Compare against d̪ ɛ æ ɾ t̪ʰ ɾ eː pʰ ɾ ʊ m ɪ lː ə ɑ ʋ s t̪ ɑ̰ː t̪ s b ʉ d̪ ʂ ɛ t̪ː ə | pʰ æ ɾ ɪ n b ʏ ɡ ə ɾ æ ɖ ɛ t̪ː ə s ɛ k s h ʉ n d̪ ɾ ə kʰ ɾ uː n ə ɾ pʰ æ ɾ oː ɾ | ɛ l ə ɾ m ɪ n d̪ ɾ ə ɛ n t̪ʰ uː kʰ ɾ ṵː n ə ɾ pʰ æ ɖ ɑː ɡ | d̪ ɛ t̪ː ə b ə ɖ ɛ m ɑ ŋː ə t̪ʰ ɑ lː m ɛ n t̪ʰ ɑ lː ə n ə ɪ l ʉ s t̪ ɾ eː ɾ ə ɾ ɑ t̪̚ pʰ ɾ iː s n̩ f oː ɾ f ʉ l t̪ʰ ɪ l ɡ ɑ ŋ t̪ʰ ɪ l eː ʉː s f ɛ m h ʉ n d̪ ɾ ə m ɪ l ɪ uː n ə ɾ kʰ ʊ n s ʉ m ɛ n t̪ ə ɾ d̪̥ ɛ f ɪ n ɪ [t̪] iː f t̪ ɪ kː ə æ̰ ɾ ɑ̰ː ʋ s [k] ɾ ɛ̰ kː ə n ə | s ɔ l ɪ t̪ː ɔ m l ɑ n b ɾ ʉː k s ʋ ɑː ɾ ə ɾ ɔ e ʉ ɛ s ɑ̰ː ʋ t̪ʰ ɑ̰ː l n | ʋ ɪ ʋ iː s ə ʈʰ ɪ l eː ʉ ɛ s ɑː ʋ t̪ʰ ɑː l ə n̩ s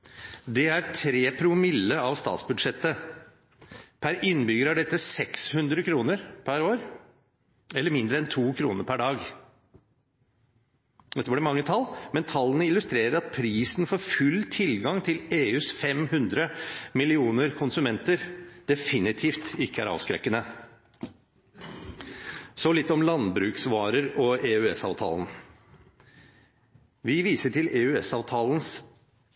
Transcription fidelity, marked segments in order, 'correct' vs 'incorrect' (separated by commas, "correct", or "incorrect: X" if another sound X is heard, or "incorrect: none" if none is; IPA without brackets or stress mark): incorrect: t̪ʰ, correct